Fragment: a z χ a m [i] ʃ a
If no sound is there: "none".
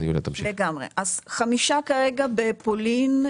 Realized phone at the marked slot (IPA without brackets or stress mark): i